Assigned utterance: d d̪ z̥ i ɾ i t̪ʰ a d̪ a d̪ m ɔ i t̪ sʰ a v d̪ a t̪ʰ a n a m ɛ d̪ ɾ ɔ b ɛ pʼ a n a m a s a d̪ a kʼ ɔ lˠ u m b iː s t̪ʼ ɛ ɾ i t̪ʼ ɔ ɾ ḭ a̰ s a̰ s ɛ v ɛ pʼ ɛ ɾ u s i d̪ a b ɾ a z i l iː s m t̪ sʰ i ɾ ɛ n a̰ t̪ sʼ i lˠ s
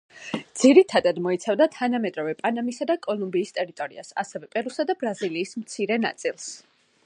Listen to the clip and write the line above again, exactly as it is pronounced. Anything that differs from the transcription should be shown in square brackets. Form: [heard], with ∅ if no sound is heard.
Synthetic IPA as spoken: d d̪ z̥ i ɾ i t̪ʰ a d̪ a d̪ m ɔ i t̪ sʰ a v d̪ a t̪ʰ a n a m ɛ d̪ ɾ ɔ [v] ɛ pʼ a n a m [i] s a d̪ a kʼ ɔ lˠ u m b iː s t̪ʼ ɛ ɾ i t̪ʼ ɔ ɾ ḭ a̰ s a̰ s ɛ v ɛ pʼ ɛ ɾ u s [a] d̪ a b ɾ a z i l iː s m t̪ sʰ i ɾ ɛ n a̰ t̪ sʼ i lˠ s